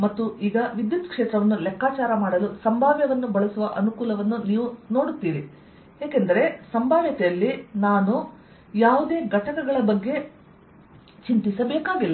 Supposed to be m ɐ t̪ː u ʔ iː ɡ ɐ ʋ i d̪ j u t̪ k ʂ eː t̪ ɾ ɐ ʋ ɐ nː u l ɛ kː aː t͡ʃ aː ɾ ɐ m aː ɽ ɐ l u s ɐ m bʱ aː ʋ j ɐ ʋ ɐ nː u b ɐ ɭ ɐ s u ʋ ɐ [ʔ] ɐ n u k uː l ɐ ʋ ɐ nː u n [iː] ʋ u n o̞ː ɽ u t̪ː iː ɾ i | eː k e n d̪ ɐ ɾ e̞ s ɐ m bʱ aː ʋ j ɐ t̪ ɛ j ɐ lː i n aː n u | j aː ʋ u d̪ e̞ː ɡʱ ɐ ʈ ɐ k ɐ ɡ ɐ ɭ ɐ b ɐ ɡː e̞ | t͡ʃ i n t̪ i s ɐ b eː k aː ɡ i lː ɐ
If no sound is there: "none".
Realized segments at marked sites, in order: ʔ, iː

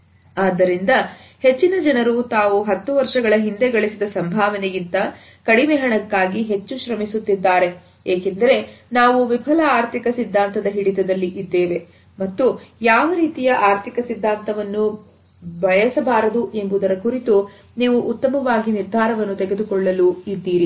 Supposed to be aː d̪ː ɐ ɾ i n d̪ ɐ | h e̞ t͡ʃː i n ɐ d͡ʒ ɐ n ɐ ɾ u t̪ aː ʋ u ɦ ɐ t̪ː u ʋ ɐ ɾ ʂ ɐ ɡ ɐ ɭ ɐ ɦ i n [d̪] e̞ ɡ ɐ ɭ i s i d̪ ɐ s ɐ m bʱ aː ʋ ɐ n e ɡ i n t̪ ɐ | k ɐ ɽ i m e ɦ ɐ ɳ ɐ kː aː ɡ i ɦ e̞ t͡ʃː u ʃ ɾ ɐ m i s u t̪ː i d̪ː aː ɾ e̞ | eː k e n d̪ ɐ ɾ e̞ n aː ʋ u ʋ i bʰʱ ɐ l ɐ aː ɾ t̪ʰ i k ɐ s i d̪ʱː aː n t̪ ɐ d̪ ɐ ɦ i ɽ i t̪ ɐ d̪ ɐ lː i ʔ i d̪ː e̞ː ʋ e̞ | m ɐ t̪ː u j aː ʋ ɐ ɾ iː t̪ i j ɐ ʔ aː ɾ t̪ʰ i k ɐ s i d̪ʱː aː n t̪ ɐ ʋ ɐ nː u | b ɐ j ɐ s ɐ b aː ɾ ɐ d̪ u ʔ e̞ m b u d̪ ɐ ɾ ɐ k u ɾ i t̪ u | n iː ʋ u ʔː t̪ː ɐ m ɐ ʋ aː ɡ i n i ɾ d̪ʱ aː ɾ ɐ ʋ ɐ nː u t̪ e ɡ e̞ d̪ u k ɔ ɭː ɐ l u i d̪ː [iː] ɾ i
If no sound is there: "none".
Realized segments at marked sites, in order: d̪, iː

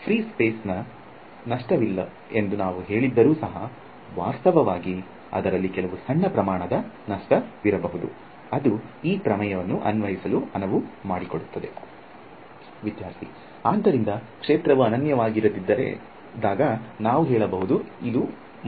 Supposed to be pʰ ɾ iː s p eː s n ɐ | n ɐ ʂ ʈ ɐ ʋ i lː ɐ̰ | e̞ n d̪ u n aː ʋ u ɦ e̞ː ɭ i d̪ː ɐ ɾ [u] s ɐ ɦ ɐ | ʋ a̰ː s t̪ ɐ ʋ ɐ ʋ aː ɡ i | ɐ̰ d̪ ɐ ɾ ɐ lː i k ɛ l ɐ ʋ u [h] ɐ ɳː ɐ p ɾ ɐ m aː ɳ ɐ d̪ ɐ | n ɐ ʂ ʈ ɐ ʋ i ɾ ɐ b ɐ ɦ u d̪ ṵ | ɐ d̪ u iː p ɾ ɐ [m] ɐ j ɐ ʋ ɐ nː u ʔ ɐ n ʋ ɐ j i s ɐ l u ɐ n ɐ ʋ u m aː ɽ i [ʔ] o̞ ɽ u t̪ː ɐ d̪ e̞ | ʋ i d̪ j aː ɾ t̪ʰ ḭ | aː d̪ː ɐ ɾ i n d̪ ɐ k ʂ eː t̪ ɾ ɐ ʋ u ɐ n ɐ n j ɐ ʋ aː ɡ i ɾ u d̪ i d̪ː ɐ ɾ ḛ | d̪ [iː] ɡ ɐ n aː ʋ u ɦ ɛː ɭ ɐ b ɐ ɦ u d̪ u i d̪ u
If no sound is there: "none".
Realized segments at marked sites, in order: uː, s, m, k, aː

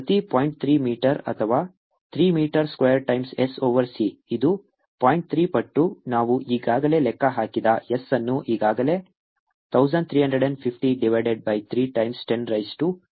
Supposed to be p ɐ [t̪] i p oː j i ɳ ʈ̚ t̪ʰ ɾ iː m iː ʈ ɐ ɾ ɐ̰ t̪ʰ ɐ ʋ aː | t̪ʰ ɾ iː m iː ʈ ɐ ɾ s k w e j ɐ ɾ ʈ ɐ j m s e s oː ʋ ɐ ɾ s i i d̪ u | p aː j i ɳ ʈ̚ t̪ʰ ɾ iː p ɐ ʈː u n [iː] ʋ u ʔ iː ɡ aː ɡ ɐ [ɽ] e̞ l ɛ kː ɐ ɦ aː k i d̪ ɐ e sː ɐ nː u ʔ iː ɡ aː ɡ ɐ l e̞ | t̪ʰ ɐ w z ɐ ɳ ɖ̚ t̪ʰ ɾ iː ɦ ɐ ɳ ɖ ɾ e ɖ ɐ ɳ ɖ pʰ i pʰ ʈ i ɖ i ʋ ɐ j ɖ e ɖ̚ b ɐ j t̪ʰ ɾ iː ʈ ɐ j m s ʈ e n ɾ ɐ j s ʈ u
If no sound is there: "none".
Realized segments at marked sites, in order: t̪, aː, l

